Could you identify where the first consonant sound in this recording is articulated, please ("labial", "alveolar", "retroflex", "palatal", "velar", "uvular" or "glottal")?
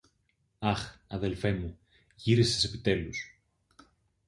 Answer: velar